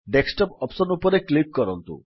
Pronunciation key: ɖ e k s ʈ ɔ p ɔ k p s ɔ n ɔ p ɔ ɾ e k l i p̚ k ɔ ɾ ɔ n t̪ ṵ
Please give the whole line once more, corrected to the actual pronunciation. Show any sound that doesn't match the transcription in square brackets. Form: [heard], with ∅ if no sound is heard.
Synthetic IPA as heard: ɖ e k s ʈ ɔ p ɔ [∅] p s ɔ n [u] p ɔ ɾ e k l i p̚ k ɔ ɾ ɔ n t̪ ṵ

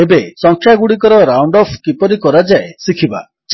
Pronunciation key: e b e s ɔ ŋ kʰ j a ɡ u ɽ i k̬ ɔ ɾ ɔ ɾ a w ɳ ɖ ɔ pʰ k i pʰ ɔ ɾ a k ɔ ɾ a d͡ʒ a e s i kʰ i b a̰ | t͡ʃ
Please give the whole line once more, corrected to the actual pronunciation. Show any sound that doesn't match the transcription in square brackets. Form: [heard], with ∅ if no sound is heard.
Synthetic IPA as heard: e b e s ɔ ŋ kʰ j a ɡ u ɽ i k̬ ɔ ɾ ɔ ɾ a w ɳ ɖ ɔ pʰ k i [p] ɔ ɾ [i] k ɔ ɾ a d͡ʒ a e s i kʰ i b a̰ | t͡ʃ

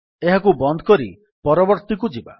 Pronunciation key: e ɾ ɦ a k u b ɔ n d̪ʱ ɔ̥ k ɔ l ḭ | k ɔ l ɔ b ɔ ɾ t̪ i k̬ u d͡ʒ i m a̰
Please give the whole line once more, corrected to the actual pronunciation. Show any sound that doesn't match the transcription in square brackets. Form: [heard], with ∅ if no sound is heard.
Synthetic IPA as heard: e [∅] ɦ a k u b ɔ n d̪ʱ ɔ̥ k ɔ [ɾ] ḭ | [p] ɔ [ɾ] ɔ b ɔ ɾ t̪ i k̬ u d͡ʒ i [b] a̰

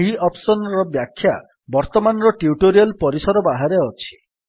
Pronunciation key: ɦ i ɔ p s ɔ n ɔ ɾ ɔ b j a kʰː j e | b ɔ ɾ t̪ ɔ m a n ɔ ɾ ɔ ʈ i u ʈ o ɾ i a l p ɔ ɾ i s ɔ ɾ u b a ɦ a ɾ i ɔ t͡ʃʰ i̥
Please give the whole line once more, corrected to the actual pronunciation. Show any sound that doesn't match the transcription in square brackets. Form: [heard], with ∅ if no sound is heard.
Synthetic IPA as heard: ɦ i ɔ p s ɔ n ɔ ɾ ɔ b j a kʰː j [a] | b ɔ ɾ t̪ ɔ m a n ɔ ɾ ɔ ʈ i u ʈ o ɾ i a l p ɔ ɾ i s ɔ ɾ [ɔ] b a ɦ a ɾ [e] ɔ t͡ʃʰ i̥

